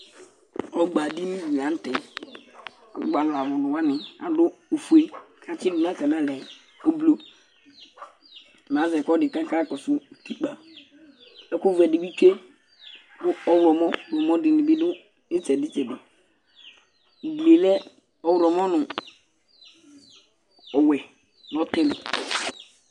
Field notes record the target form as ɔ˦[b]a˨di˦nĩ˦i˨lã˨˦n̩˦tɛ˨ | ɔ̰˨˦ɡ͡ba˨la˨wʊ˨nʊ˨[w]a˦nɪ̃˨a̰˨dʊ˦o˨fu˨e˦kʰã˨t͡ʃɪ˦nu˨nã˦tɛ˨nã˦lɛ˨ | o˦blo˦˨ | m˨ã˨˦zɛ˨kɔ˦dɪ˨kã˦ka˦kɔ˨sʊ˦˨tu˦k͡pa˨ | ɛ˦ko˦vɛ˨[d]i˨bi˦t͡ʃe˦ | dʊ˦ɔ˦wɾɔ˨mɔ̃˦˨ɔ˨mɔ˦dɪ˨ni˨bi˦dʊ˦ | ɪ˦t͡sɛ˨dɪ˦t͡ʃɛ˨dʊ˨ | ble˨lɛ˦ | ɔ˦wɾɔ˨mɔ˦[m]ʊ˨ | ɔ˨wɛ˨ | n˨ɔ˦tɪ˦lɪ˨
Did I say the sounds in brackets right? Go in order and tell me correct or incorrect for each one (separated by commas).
incorrect, correct, correct, incorrect